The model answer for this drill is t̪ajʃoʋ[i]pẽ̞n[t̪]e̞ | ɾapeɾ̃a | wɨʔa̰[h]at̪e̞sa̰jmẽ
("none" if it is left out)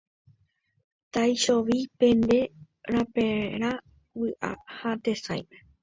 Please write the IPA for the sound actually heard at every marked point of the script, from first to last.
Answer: i, d̪, h

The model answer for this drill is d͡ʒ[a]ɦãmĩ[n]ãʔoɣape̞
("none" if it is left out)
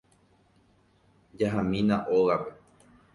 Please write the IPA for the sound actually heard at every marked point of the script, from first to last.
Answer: a, n

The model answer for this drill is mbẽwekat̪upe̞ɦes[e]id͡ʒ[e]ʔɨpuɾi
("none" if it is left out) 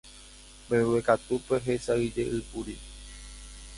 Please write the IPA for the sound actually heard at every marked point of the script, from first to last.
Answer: a, e

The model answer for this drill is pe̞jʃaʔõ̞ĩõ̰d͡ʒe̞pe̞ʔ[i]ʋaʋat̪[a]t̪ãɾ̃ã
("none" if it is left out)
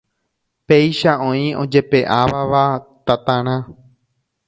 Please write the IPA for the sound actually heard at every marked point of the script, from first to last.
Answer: a, a

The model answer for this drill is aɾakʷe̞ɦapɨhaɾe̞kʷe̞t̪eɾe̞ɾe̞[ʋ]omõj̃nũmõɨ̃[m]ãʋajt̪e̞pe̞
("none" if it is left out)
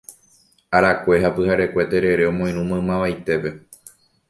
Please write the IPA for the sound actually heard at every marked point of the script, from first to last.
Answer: none, m

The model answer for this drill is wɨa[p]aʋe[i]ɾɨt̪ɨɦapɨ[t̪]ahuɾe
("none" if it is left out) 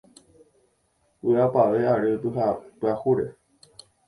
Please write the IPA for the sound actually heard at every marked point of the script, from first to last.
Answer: p, a, none

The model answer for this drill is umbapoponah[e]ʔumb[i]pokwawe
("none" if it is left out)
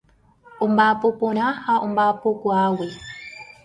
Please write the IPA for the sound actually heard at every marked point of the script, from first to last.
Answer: a, a

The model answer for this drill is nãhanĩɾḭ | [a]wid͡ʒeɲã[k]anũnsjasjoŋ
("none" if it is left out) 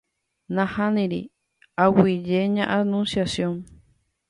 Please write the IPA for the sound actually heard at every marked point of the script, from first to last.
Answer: a, ʔ

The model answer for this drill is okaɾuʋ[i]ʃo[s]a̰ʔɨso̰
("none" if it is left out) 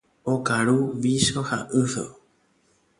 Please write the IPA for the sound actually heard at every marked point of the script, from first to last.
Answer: i, h

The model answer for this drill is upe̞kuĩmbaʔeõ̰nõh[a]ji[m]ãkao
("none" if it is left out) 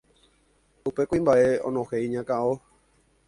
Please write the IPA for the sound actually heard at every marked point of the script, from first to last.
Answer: e, ɲ

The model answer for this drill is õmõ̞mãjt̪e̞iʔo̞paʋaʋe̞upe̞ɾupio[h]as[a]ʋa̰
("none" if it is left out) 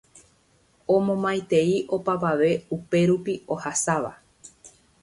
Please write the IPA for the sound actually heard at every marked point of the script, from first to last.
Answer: h, a

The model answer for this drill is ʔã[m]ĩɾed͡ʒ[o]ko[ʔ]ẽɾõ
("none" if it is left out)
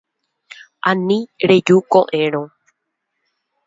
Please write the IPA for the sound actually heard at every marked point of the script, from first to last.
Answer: n, u, ʔ

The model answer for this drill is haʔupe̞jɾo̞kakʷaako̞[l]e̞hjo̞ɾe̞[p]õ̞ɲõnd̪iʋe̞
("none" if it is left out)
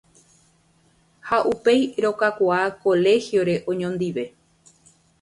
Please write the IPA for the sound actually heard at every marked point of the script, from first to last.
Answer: l, ʔ

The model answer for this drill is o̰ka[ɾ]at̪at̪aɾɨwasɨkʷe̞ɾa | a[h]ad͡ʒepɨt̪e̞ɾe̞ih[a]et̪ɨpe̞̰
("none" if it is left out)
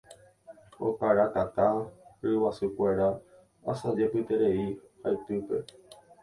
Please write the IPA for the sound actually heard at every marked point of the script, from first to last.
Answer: ɾ, s, a

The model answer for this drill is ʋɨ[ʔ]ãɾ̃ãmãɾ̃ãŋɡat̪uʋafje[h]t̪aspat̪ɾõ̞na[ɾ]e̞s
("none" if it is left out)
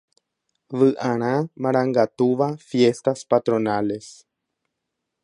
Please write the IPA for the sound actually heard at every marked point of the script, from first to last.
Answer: ʔ, s, l

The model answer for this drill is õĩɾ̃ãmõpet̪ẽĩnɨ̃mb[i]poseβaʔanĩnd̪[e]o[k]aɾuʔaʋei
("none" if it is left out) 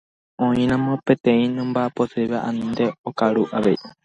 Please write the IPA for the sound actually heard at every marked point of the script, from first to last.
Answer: a, e, k

